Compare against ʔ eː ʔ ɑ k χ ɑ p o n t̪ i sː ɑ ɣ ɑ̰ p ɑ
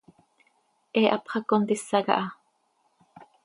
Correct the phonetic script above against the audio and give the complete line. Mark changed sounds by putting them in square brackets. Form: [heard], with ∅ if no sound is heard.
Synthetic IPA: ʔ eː ʔ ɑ [p] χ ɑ [k] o n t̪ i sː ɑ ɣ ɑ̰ [ʔ] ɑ